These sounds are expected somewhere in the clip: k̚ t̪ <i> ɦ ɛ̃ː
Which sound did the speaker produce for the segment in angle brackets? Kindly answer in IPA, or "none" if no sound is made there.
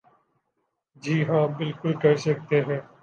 e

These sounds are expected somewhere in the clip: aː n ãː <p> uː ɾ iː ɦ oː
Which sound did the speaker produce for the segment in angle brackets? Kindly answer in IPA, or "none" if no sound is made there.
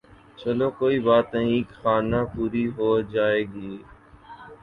p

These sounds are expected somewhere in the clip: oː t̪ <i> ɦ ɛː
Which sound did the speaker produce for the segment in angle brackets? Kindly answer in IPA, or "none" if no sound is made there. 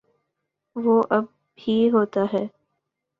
a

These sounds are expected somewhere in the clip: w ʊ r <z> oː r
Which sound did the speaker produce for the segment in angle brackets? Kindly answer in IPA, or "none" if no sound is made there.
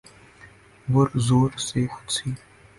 z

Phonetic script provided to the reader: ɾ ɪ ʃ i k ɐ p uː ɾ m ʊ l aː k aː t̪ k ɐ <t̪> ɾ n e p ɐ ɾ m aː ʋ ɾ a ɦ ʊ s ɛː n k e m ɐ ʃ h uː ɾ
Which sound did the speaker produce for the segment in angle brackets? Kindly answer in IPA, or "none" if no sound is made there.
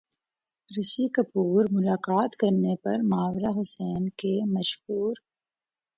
none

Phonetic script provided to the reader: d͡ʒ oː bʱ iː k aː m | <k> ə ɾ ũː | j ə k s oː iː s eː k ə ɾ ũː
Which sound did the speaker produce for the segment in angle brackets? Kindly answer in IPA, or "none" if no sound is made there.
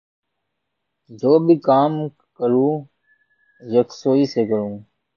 k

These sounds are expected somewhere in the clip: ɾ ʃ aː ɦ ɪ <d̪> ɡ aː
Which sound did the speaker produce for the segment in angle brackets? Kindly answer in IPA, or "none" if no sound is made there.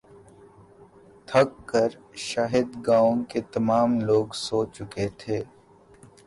d̪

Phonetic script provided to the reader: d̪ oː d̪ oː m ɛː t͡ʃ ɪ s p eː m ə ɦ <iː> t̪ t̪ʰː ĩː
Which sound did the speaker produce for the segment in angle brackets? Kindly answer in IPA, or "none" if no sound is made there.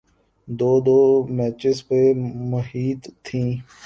iː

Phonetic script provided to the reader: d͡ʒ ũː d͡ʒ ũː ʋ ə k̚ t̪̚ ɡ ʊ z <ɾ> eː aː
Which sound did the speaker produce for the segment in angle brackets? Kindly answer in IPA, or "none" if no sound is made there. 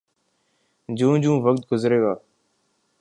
ɾ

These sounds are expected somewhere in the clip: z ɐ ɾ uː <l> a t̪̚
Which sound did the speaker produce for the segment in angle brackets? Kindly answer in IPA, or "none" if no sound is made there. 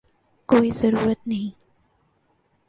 ɾ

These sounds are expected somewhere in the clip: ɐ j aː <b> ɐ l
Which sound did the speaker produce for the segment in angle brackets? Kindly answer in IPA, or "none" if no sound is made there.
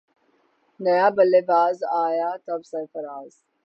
b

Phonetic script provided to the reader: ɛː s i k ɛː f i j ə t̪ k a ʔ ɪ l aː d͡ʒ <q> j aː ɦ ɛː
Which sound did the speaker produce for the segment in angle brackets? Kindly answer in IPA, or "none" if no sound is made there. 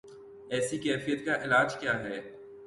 k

